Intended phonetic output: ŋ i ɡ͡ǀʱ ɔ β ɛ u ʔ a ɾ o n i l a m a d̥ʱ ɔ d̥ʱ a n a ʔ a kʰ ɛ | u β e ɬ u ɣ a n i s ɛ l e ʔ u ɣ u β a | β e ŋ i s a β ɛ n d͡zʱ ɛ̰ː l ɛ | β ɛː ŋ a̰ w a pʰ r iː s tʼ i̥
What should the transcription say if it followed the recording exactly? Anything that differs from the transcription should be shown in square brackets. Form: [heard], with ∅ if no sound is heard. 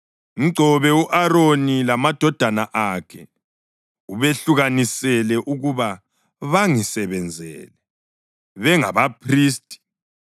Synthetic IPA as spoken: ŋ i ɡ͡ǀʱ ɔ β ɛ u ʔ a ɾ o n i l a m a d̥ʱ ɔ d̥ʱ a n a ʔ a kʰ ɛ | u β e ɬ u ɣ a n i s ɛ l [ɛ] ʔ u ɣ u β a | β [a] ŋ i s [ɛ] β ɛ n d͡zʱ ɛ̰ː l ɛ | β [ɛ] ŋ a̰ [β] a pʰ r iː s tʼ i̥